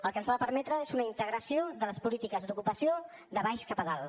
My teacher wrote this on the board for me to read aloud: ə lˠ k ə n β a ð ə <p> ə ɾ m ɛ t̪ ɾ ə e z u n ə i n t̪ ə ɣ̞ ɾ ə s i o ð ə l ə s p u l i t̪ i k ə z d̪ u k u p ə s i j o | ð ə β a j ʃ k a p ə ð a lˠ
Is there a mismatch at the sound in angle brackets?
no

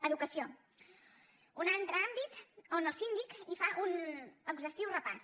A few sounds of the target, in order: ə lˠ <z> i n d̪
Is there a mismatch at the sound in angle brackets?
yes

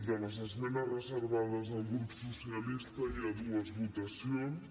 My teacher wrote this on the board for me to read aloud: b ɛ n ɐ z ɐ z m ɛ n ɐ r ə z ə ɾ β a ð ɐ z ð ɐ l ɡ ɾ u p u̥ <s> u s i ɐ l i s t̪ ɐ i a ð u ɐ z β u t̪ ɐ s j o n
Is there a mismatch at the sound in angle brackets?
no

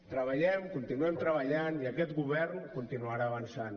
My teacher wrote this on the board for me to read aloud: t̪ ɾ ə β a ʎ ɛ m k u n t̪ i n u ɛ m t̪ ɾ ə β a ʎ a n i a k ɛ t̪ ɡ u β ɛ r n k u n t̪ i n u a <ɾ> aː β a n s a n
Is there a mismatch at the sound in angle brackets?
no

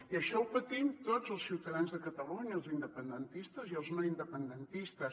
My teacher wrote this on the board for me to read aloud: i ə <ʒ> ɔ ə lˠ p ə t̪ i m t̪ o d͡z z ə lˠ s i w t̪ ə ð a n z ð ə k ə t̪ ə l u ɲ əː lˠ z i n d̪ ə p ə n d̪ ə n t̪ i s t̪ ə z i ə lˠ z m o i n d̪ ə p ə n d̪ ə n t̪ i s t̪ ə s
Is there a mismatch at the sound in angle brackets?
yes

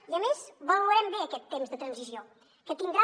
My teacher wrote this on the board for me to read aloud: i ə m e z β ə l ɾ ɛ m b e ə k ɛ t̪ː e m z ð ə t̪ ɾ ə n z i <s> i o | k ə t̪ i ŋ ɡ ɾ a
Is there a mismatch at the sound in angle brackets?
yes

